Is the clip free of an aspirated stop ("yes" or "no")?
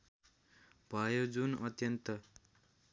yes